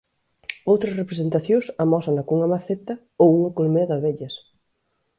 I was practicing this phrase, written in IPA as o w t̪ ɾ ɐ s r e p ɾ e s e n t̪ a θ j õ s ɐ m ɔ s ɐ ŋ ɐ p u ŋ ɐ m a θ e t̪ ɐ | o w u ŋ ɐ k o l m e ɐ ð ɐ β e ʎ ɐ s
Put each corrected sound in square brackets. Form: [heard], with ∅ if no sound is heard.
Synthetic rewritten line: o w t̪ ɾ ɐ s r e p ɾ e s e n t̪ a θ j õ s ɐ m ɔ s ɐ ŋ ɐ [k] u ŋ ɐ m a θ e t̪ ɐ | o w u ŋ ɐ k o l m e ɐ ð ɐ β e ʎ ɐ s